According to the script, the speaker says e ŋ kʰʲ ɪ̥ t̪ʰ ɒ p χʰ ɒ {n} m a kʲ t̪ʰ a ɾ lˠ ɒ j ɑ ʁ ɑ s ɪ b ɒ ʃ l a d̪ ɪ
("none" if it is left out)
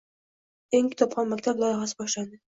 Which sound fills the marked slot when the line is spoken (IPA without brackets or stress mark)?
n